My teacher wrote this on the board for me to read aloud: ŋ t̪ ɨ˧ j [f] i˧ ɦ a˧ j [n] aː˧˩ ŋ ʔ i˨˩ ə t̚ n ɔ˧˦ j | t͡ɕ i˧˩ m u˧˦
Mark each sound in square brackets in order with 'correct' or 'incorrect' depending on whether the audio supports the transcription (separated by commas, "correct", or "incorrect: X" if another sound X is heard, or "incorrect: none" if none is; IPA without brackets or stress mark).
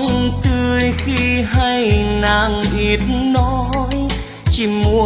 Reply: incorrect: x, correct